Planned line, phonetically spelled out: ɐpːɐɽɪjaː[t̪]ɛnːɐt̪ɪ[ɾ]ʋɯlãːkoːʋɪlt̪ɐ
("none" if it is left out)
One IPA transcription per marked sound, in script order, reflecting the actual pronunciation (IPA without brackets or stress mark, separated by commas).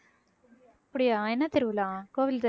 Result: none, ɾ